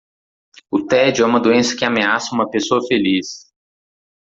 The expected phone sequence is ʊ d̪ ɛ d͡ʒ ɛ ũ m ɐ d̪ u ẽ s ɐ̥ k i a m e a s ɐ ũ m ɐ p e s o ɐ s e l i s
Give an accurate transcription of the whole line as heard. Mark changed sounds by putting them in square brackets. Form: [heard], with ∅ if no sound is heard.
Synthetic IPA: ʊ [t̪] ɛ d͡ʒ ɛ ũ m ɐ d̪ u ẽ s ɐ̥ k [ɪ] a m e a s ɐ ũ m ɐ p e s o ɐ [f] e l i s